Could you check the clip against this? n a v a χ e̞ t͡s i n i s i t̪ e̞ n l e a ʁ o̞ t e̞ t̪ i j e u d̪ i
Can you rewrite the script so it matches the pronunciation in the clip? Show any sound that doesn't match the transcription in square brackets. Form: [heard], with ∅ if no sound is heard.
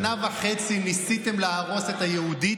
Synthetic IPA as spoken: n a v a χ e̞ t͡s i n i s i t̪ e̞ [m] l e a ʁ o̞ [s] e̞ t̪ [a] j e u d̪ i